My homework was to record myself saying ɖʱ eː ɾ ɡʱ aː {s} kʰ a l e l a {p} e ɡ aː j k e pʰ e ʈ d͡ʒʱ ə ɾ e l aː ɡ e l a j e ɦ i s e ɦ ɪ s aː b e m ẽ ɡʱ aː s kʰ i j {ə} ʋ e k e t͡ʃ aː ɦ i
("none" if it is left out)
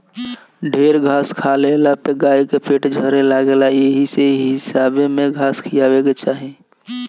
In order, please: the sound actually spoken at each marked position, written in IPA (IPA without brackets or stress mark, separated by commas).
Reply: s, p, a